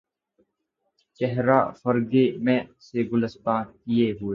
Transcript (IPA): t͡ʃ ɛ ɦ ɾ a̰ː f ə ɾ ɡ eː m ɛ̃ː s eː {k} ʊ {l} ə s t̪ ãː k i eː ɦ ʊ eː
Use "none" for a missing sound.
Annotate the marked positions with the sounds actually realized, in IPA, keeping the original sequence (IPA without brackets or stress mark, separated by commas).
ɡ, l